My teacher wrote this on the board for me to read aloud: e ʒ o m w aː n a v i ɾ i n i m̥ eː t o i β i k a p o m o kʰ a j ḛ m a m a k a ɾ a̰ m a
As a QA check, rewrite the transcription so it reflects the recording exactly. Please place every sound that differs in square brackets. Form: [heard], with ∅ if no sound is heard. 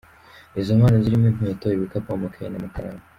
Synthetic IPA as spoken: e [z] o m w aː n a [z] i ɾ i [m] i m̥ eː t o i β i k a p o m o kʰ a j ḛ [n] a m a k a ɾ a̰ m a